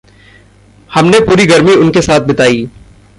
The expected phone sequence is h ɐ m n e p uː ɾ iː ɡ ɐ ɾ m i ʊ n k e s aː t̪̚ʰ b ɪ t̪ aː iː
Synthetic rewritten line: h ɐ m n e p uː ɾ i ɡ ɐ ɾ m i ʊ n k e s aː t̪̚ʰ b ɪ t̪ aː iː